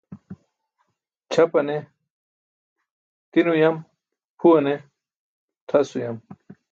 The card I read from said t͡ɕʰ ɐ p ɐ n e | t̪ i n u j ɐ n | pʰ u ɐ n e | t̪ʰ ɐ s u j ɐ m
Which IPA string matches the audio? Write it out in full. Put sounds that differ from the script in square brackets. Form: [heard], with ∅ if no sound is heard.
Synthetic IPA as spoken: t͡ɕʰ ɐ p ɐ n e | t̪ i n u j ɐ [m] | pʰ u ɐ n e | t̪ʰ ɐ s u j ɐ m